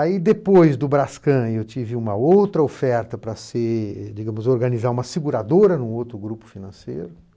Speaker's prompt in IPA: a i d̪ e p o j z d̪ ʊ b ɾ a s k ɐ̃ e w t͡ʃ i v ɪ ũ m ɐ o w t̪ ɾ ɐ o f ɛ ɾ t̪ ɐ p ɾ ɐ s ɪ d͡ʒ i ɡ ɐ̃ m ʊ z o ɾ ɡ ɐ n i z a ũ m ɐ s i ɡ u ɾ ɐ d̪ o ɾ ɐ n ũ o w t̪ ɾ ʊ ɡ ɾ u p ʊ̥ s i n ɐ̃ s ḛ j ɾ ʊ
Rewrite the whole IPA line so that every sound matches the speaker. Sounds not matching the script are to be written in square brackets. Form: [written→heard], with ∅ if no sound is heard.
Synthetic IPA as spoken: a i d̪ e p o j z d̪ ʊ b ɾ a s k ɐ̃ e w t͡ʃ i v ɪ ũ m ɐ o w t̪ ɾ ɐ o f ɛ ɾ t̪ ɐ p ɾ ɐ s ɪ d͡ʒ i ɡ ɐ̃ m ʊ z o ɾ ɡ ɐ n i z a ũ m ɐ s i ɡ u ɾ [ɐ→a] d̪ o ɾ ɐ n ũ o w t̪ ɾ ʊ ɡ ɾ u p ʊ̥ [s→f] i n ɐ̃ s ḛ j ɾ ʊ

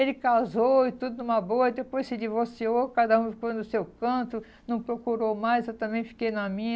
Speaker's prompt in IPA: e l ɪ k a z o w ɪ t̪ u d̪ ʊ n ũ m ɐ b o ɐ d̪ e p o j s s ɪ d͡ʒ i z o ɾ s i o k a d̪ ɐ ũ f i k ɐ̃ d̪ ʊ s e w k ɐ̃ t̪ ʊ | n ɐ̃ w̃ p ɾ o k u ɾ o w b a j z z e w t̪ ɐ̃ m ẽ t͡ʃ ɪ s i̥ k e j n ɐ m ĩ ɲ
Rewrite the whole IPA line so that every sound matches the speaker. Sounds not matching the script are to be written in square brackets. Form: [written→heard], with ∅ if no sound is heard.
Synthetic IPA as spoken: e l ɪ k a z o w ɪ t̪ u d̪ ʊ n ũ m ɐ b o ɐ d̪ e p o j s s ɪ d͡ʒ i [z→v] o ɾ s i o k a d̪ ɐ ũ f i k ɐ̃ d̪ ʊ s e w k ɐ̃ t̪ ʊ | n ɐ̃ w̃ p ɾ o k u ɾ o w [b→m] a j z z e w t̪ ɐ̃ m ẽ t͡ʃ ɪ [s→f] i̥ k e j n ɐ m ĩ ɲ

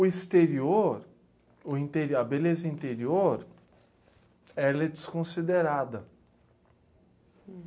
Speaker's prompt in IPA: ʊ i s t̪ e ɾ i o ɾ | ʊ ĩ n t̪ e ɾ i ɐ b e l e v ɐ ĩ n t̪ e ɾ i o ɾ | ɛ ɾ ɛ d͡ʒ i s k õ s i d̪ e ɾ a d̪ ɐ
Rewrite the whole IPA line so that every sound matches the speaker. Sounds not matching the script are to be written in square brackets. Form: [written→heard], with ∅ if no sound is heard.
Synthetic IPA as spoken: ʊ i s t̪ e ɾ i o ɾ | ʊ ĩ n t̪ e ɾ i ɐ b e l e [v→z] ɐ ĩ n t̪ e ɾ i o ɾ | ɛ [ɾ→l] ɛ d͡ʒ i s k õ s i d̪ e ɾ a d̪ ɐ

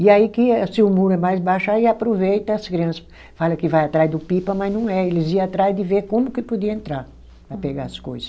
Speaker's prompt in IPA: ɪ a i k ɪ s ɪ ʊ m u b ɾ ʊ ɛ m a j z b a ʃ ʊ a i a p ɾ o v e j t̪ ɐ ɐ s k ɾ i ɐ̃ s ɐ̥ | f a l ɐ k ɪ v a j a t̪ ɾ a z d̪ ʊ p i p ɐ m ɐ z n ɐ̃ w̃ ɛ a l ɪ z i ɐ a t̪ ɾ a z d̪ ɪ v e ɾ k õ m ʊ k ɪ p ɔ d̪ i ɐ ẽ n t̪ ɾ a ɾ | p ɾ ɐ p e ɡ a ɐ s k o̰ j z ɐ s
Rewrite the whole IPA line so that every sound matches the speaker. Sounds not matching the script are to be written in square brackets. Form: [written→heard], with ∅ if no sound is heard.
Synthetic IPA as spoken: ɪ a i k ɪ s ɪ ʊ m u [b→∅] ɾ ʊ ɛ m a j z b a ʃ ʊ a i a p ɾ o v e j t̪ ɐ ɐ s k ɾ i ɐ̃ s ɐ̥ | f a l ɐ k ɪ v a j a t̪ ɾ a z d̪ ʊ p i p ɐ m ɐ z n ɐ̃ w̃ ɛ [a→e] l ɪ z i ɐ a t̪ ɾ a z d̪ ɪ v e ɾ k õ m ʊ k ɪ p [ɔ→o] d̪ i ɐ ẽ n t̪ ɾ a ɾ | p ɾ ɐ p e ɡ a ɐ s k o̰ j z ɐ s

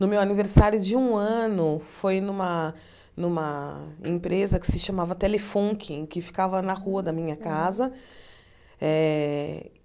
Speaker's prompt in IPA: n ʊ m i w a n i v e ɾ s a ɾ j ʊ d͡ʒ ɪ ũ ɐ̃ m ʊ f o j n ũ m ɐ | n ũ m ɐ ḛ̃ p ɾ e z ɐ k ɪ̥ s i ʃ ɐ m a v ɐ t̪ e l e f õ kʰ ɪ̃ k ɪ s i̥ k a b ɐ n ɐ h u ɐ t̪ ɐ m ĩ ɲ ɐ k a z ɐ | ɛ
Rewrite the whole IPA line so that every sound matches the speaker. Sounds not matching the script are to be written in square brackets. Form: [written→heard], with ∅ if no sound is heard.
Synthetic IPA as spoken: n ʊ m [i→e] w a n i v e ɾ s a ɾ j ʊ d͡ʒ ɪ ũ ɐ̃ [m→n] ʊ f o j n ũ m ɐ | n ũ m ɐ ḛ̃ p ɾ e z ɐ k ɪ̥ s [i→ɪ] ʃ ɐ m a v ɐ t̪ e l e f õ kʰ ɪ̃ k ɪ [s→f] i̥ k a [b→v] ɐ n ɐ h u ɐ [t̪→d̪] ɐ m ĩ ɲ ɐ k a z ɐ | ɛ

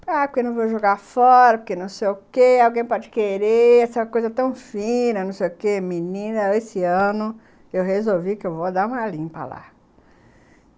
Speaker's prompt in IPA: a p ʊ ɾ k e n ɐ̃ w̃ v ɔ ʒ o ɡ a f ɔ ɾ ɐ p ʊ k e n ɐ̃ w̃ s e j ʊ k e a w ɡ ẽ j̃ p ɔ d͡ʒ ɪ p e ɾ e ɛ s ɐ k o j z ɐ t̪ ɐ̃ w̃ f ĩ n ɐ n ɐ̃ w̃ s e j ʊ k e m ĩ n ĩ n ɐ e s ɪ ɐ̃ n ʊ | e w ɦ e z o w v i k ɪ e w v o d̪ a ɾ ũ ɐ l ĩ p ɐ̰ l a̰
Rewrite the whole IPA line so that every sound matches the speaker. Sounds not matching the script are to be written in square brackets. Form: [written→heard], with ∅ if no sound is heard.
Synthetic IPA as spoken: a p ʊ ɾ k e n ɐ̃ w̃ v [ɔ→o] ʒ o ɡ a f ɔ ɾ ɐ p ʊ k e n ɐ̃ w̃ s e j ʊ k e a w ɡ ẽ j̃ p ɔ d͡ʒ ɪ [p→k] e ɾ e ɛ s ɐ k o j z ɐ t̪ ɐ̃ w̃ f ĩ n ɐ n ɐ̃ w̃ s e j ʊ k e m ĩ n ĩ n ɐ e s ɪ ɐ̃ n ʊ | e w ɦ e z o w v i k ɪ e w v o d̪ a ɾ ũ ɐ l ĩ p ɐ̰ l a̰

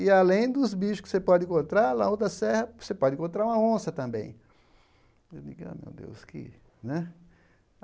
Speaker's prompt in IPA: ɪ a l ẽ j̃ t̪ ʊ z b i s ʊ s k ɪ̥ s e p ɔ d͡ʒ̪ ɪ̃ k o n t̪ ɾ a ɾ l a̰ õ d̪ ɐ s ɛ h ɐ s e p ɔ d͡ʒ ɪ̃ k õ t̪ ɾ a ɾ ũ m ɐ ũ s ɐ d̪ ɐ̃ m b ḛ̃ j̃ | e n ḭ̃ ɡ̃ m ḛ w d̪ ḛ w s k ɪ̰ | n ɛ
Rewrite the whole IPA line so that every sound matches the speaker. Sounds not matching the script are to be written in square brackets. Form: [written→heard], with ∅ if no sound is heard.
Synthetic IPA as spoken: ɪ a l ẽ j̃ [t̪→d̪] ʊ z b i [s→ʃ] ʊ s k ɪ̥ s e p ɔ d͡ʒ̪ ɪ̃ k [o→õ] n t̪ ɾ a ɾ l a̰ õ d̪ ɐ s ɛ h ɐ s e p ɔ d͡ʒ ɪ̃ k õ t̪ ɾ a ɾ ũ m ɐ [ũ→õ] s ɐ [d̪→t̪] ɐ̃ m b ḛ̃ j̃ | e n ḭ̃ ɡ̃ m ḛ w d̪ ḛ w s k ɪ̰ | n ɛ

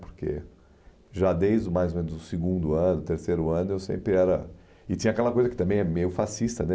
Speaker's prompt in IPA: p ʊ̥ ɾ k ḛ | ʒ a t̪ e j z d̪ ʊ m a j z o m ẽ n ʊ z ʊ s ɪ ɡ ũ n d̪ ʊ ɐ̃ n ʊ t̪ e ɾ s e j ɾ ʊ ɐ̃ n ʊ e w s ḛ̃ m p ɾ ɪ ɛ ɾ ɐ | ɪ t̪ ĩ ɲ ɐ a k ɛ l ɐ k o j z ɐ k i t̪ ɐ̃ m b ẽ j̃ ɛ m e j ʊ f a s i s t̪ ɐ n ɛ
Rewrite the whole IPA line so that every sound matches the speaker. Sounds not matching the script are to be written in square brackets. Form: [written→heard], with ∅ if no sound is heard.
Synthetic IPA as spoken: p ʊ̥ ɾ k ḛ | ʒ a [t̪→d̪] e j z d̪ ʊ m a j z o m ẽ n ʊ z ʊ s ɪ ɡ ũ n d̪ ʊ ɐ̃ n ʊ t̪ e ɾ s e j ɾ ʊ ɐ̃ n ʊ e w s ḛ̃ m p ɾ ɪ ɛ ɾ ɐ | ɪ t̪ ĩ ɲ ɐ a k ɛ l ɐ k o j z ɐ k [i→ɪ] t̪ ɐ̃ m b ẽ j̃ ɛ m e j ʊ f a s i s t̪ ɐ n ɛ

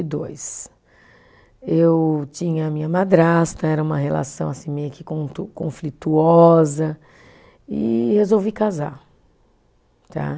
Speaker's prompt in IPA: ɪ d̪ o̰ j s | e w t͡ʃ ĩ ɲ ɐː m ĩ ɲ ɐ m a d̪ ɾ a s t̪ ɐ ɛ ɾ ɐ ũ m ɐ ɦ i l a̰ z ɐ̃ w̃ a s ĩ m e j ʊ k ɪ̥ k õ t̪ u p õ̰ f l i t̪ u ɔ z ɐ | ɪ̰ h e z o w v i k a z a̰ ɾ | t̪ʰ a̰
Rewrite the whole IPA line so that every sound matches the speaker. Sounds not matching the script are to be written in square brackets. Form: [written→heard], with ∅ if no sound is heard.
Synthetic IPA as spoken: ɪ d̪ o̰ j s | e w t͡ʃ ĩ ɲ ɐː m ĩ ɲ ɐ m a d̪ ɾ a s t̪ ɐ ɛ ɾ ɐ ũ m ɐ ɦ [i→e] l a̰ [z→s] ɐ̃ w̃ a s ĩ m e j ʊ k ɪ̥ k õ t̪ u [p→k] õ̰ f l i t̪ u ɔ z ɐ | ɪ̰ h e z o w v i k a z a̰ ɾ | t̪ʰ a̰

